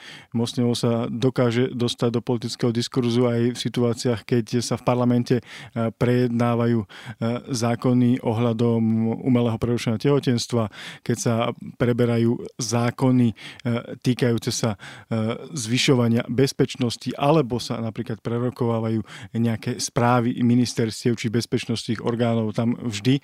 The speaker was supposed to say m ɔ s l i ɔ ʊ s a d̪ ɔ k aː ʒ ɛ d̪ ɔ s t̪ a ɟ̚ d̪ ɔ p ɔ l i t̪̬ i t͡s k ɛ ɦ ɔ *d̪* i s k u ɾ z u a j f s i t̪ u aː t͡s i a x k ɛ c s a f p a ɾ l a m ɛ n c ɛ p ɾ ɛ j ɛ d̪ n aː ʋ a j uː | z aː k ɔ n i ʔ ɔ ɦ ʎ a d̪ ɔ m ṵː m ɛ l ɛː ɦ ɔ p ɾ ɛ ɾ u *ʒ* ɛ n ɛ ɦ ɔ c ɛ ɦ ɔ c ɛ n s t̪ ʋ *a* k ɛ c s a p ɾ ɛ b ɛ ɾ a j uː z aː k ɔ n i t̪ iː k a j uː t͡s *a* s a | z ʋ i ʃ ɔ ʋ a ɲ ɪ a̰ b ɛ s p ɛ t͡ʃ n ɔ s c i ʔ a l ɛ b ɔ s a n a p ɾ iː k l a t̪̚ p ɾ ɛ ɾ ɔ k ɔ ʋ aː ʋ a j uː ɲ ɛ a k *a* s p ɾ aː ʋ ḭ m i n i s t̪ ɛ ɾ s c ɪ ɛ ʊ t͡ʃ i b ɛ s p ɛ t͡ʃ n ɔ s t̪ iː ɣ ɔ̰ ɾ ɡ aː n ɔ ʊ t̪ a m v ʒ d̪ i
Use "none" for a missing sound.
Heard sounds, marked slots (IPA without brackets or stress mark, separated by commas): d̪, ʃ, a, ɛ, ɛ